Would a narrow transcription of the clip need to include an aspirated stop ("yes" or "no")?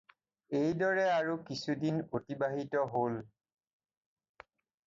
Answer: no